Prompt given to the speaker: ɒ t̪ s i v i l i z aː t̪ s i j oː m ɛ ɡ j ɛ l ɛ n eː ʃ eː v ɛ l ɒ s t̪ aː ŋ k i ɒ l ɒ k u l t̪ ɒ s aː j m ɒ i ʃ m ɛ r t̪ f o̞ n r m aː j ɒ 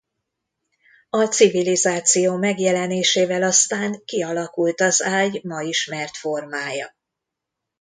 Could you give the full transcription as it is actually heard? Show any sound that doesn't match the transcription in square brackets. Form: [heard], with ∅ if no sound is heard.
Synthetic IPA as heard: ɒ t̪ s i v i l i z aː t̪ s i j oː m ɛ ɡ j ɛ l ɛ n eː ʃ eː v ɛ l ɒ s t̪ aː ŋ k i ɒ l ɒ k u l t̪ ɒ [z] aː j m ɒ i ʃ m ɛ r t̪ f o̞ [∅] r m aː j ɒ